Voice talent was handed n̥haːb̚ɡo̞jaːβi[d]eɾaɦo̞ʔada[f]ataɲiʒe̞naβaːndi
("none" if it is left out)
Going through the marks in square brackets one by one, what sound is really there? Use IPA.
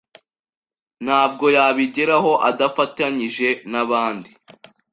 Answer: ɟ, f

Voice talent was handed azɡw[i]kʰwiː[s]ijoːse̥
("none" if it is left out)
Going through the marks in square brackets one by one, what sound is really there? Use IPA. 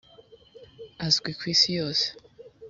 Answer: i, s

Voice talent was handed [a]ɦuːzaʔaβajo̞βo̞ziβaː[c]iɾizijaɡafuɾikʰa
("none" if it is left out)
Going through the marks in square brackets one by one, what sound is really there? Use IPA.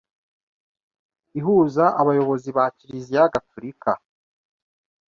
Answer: i, c

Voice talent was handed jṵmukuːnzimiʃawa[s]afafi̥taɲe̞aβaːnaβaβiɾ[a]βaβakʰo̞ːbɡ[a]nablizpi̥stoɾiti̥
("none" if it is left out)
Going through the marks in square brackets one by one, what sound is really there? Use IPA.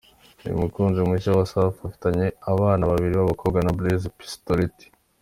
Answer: s, i, a

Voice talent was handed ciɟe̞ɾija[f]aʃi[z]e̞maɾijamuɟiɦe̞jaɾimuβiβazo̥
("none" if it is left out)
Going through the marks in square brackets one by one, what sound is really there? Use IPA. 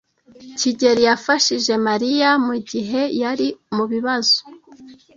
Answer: f, ʒ

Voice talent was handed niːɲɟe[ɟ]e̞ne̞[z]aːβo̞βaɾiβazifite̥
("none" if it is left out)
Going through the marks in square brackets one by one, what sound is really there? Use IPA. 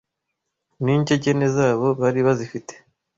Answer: ɟ, z

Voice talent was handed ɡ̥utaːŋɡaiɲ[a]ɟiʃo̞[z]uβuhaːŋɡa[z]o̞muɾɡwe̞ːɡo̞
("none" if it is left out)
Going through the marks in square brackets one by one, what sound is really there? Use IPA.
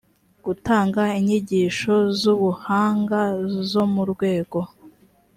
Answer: i, z, z

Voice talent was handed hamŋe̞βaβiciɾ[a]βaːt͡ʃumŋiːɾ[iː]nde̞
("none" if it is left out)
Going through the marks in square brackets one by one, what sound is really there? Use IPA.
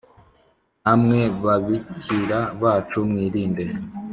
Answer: a, iː

